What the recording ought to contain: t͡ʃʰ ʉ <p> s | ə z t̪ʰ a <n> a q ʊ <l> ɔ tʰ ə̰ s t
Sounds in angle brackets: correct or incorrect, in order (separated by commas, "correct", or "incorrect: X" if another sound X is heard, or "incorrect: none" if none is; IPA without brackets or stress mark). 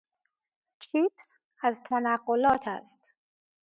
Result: correct, correct, correct